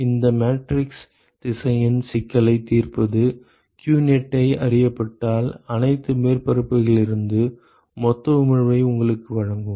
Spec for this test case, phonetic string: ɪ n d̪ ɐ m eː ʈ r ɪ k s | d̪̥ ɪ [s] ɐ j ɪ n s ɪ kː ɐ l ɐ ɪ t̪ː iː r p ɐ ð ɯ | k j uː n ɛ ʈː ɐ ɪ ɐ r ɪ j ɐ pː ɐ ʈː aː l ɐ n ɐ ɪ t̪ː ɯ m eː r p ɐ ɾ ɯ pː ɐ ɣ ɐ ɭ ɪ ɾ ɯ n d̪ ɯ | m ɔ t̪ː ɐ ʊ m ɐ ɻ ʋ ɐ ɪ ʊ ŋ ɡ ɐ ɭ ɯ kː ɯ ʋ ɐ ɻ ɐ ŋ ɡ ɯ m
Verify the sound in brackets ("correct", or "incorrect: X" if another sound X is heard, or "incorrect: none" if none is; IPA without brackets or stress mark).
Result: correct